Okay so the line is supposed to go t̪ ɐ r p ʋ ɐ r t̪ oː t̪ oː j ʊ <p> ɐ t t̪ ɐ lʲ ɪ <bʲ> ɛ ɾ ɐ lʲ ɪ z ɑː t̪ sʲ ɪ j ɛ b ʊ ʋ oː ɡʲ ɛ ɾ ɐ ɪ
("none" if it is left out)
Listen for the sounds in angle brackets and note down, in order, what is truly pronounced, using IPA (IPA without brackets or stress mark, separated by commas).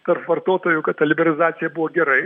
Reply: k, bʲ